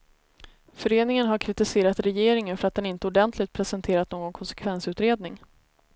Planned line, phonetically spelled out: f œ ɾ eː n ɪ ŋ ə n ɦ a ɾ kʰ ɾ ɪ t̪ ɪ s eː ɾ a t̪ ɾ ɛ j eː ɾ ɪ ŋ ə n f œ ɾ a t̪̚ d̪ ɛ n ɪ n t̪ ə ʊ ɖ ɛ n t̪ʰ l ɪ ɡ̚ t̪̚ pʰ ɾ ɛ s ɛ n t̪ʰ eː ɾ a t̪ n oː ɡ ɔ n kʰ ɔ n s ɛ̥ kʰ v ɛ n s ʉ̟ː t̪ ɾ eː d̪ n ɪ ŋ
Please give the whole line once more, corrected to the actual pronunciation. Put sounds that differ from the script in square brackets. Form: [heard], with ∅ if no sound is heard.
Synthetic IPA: f œ ɾ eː n ɪ ŋ ə n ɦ a ɾ kʰ ɾ ɪ t̪ ɪ s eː ɾ a t̪ ɾ ɛ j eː ɾ ɪ ŋ ə n f œ ɾ a t̪̚ d̪ ɛ n ɪ n t̪ ə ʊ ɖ ɛ n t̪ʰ l ɪ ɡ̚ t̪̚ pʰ ɾ ɛ s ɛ n t̪ʰ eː ɾ a t̪ n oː ɡ ɔ n kʰ ɔ n s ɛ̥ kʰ v ɛ n s ʉ̟ː t̪ ɾ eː d̪ n ɪ ŋ